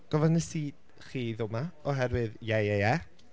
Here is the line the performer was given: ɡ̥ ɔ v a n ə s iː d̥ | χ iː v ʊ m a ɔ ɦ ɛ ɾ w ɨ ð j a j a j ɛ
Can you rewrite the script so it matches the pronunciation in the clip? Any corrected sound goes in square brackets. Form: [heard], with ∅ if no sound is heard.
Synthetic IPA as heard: ɡ̥ ɔ v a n ə s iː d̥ | χ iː [ð] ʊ m a ɔ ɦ ɛ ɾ w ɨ ð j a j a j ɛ